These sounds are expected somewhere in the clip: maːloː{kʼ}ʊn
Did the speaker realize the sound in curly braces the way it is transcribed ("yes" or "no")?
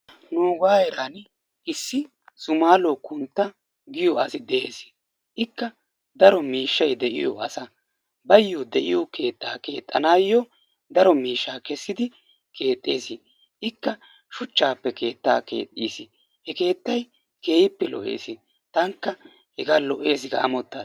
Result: no